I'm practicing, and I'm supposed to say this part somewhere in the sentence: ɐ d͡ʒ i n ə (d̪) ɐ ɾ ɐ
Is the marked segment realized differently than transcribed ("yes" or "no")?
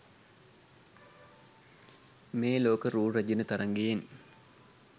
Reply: yes